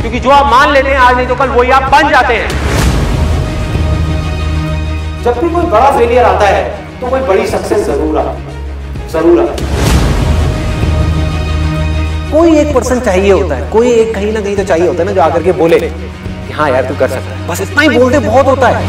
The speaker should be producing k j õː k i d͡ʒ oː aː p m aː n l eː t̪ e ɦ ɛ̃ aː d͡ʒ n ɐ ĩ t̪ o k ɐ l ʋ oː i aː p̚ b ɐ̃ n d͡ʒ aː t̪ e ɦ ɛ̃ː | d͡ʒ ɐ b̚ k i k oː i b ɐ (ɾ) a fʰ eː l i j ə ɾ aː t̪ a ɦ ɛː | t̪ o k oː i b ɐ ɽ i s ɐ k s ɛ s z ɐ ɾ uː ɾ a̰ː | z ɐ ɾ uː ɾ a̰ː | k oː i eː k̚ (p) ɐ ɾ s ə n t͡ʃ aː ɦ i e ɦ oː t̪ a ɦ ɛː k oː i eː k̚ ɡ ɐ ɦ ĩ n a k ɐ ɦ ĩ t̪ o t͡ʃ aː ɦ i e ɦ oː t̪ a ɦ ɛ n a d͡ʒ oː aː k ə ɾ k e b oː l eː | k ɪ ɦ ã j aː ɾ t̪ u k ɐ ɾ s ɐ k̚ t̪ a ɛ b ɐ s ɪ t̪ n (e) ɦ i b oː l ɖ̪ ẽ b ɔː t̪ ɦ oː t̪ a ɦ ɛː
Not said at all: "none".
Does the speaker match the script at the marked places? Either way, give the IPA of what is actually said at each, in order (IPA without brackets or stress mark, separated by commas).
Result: ɽ, p, a